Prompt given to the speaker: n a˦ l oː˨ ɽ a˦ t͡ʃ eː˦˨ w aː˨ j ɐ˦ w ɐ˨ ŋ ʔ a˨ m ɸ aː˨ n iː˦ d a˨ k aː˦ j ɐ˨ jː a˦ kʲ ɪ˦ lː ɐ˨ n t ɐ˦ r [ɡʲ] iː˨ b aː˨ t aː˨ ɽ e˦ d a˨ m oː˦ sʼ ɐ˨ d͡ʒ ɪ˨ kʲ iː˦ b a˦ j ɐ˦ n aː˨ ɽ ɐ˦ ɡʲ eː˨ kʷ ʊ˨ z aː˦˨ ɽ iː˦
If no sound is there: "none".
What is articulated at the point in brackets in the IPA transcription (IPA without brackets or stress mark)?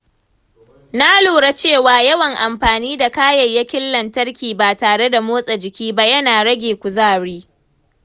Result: kʲ